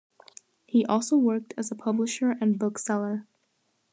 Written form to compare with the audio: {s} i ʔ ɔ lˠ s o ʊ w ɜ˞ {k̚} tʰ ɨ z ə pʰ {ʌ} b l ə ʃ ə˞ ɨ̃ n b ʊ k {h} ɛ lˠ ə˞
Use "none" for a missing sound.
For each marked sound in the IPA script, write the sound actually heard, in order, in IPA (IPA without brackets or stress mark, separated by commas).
h, k̚, ʌ, s